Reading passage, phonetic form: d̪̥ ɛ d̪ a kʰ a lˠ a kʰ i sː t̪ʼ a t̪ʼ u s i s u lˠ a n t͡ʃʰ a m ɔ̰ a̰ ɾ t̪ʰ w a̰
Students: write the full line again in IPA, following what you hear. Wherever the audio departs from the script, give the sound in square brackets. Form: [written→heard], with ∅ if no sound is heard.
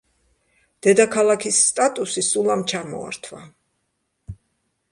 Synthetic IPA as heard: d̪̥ ɛ d̪ a kʰ a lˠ a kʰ i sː t̪ʼ a t̪ʼ u s i s u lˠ a [n→m] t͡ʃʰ a m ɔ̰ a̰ ɾ t̪ʰ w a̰

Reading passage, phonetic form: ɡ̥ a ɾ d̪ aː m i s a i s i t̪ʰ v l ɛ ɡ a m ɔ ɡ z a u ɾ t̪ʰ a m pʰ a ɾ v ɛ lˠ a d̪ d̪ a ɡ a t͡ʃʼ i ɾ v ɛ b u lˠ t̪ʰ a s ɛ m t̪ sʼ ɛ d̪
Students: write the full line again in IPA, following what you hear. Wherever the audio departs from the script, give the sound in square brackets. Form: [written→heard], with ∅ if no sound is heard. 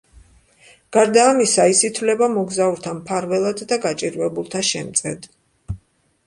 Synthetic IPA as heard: ɡ̥ a ɾ d̪ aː m i s a i s i t̪ʰ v l ɛ [ɡ→b] a m ɔ ɡ z a u ɾ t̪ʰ a m pʰ a ɾ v ɛ lˠ a d̪ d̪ a ɡ a t͡ʃʼ i ɾ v ɛ b u lˠ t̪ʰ a [s→ʃ] ɛ m t̪ sʼ ɛ d̪

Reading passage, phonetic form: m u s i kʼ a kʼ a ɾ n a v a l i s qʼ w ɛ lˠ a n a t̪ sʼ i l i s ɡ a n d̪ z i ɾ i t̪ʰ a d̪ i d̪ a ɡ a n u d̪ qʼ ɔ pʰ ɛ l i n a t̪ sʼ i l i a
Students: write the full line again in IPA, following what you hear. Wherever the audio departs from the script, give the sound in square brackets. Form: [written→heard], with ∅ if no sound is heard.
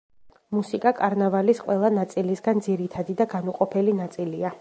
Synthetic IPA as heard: m u s i kʼ a kʼ a ɾ n a v a l i s qʼ w ɛ lˠ a n a t̪ sʼ i l i s ɡ a n d̪ z i ɾ i t̪ʰ a d̪ i d̪ a ɡ a n u [d̪→∅] qʼ ɔ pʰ ɛ l i n a t̪ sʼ i l i a

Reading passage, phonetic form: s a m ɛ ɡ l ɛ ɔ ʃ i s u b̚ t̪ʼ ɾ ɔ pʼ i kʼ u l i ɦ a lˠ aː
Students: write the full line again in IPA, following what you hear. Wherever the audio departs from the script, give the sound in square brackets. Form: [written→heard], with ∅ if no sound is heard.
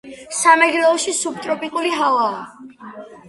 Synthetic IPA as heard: s a m ɛ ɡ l ɛ ɔ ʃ i s u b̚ t̪ʼ ɾ ɔ pʼ i kʼ u l i ɦ a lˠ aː

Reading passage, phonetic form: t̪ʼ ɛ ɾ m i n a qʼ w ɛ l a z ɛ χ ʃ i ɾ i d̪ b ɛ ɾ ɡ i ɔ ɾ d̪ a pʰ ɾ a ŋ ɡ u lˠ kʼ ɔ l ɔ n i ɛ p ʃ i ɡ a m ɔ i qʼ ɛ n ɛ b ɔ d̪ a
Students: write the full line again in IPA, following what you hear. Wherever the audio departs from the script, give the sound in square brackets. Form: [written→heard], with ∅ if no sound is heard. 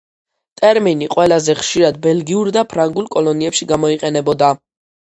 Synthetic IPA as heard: t̪ʼ ɛ ɾ m i n [a→i] qʼ w ɛ l a z ɛ χ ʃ i ɾ [i→a] d̪ b ɛ [ɾ→l] ɡ i [ɔ→u] ɾ d̪ a pʰ ɾ a ŋ ɡ u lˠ kʼ ɔ l ɔ n i ɛ p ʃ i ɡ a m ɔ i qʼ ɛ n ɛ b ɔ d̪ a

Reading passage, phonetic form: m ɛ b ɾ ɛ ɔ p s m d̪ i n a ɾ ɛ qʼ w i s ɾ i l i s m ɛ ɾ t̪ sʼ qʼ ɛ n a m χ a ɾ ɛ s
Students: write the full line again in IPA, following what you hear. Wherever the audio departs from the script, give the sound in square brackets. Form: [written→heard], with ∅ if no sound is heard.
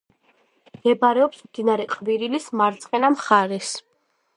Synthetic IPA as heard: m ɛ b ɾ ɛ ɔ p s m d̪ i n a ɾ ɛ qʼ [w→v] i [s→∅] ɾ i l i s m [ɛ→a] ɾ t̪ sʼ qʼ ɛ n a m χ a ɾ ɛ s

